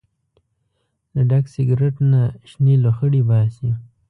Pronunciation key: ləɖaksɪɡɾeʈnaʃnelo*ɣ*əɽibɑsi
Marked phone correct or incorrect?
incorrect